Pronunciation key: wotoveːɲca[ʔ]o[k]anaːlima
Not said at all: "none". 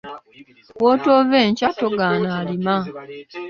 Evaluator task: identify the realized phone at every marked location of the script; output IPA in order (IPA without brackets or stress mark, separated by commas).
t, ɡ